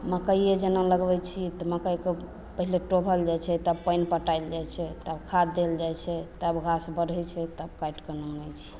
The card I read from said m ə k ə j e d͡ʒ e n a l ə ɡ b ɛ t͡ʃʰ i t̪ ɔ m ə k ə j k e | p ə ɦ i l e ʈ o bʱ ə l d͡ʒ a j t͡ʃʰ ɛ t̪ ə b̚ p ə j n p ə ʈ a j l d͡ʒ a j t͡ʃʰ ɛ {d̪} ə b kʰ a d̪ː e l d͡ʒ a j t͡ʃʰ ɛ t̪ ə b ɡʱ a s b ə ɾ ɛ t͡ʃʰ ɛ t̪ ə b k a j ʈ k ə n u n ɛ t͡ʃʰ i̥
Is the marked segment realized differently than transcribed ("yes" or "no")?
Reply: yes